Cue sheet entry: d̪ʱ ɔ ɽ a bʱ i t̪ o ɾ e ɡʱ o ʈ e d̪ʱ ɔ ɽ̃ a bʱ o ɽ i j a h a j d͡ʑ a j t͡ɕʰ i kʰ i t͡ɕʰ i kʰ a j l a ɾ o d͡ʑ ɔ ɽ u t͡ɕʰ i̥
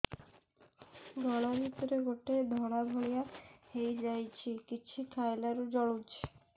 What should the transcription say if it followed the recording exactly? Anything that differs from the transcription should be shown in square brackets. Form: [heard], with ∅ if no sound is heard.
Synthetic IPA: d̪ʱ ɔ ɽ a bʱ i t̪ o ɾ e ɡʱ o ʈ e d̪ʱ ɔ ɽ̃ a bʱ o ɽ i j a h [e] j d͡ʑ a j t͡ɕʰ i [k] i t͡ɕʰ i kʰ a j l a ɾ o d͡ʑ ɔ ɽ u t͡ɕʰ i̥

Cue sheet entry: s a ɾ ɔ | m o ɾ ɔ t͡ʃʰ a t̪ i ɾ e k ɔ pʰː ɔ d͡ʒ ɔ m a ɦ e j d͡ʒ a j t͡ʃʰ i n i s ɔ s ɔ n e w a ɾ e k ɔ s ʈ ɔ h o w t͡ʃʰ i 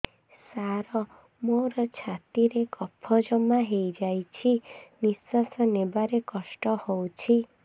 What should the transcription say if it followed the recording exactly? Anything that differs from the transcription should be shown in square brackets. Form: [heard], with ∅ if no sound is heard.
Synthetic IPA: s a ɾ ɔ | m o ɾ ɔ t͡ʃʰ a t̪ i ɾ e k ɔ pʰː ɔ d͡ʒ ɔ m a ɦ e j d͡ʒ a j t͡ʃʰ i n i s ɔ s ɔ n e [b] a ɾ e k ɔ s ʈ ɔ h o w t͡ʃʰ i

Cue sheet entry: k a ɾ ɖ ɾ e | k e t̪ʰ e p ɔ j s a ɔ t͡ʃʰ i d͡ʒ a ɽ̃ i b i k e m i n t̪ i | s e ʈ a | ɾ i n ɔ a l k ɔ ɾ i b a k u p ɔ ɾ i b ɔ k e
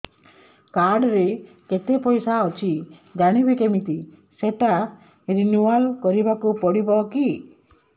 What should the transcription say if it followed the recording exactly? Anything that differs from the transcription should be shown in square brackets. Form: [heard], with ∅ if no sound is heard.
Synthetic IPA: k a ɾ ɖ ɾ e | k e [t̪] e p ɔ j s a ɔ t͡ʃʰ i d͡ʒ a ɽ̃ i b i k e m i [∅] t̪ i | s e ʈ a | ɾ i n [u] a l k ɔ ɾ i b a k u p ɔ [ɽ] i b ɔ k [i]

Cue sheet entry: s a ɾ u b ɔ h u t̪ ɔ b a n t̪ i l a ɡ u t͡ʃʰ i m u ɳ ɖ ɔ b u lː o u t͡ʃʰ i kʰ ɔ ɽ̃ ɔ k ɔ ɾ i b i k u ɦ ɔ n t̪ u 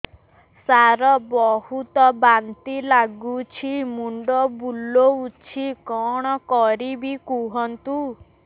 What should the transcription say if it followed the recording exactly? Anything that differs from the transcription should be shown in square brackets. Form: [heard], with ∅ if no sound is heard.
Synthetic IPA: s a ɾ [ɔ] b ɔ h u t̪ ɔ b a n t̪ i l a ɡ u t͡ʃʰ i m u ɳ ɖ ɔ b u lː o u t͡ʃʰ i [k] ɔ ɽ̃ ɔ k ɔ ɾ i b i k u ɦ ɔ n t̪ u

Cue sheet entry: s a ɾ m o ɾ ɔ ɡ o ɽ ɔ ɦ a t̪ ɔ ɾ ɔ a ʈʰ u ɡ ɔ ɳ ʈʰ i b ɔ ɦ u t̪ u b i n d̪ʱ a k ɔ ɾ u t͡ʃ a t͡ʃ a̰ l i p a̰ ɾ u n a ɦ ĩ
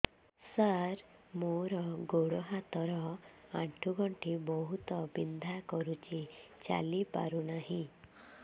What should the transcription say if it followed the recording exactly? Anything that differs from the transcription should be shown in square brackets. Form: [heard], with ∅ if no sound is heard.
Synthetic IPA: s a ɾ m o ɾ ɔ ɡ o ɽ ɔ ɦ a t̪ ɔ ɾ ɔ a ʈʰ u ɡ ɔ ɳ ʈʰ i b ɔ ɦ u t̪ [ɔ] b i n d̪ʱ a k ɔ ɾ u t͡ʃ [i] t͡ʃ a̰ l i p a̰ ɾ u n a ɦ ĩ

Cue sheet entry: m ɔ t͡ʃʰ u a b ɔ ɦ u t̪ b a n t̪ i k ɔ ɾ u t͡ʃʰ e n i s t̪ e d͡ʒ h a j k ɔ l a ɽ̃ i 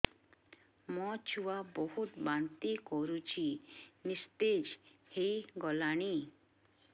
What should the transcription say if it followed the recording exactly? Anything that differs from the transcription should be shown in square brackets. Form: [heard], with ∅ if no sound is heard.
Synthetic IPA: m ɔ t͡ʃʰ u a b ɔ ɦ u t̪ b a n t̪ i k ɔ ɾ u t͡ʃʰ [i] n i s t̪ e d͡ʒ h [e] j [ɡ] ɔ l a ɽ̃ i

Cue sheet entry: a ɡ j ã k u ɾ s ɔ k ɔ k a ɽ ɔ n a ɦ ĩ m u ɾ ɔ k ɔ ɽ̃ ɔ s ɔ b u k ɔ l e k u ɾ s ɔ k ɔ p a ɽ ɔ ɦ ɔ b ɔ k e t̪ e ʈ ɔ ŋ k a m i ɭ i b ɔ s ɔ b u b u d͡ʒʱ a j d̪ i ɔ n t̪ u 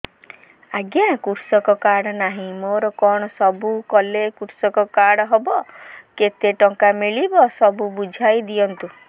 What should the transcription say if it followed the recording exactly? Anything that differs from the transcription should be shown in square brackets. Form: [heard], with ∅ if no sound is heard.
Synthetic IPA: a ɡ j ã k u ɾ s ɔ k ɔ k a ɽ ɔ n a ɦ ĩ m [o] ɾ ɔ k ɔ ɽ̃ ɔ s ɔ b u k ɔ l e k u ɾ s ɔ k ɔ [k] a ɽ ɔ ɦ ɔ b ɔ k e t̪ e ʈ ɔ ŋ k a m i ɭ i b ɔ s ɔ b u b u d͡ʒʱ a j d̪ i ɔ n t̪ u

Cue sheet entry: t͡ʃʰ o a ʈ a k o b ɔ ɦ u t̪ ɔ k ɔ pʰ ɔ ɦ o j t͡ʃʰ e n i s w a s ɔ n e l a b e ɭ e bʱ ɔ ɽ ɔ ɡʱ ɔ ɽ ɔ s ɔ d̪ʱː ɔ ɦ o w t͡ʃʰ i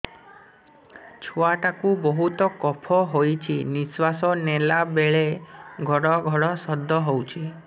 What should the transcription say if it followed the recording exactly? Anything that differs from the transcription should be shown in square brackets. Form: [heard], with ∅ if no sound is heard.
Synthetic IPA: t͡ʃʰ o a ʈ a k [u] b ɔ ɦ u t̪ ɔ k ɔ pʰ ɔ ɦ o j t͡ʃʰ [i] n i s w a s ɔ n e l a b e ɭ e [ɡʱ] ɔ ɽ ɔ ɡʱ ɔ ɽ ɔ s ɔ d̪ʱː ɔ ɦ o w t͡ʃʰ i

